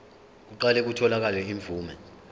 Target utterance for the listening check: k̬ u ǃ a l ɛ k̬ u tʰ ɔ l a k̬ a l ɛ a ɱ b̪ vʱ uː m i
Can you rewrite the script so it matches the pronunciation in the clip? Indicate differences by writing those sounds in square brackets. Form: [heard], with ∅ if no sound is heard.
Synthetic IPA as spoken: k̬ u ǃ a l ɛ k̬ u tʰ ɔ l a k̬ a l ɛ [i] ɱ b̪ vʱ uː m [ɛ]